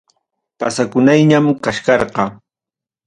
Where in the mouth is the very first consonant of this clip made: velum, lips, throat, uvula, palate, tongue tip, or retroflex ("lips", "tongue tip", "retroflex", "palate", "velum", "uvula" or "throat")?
lips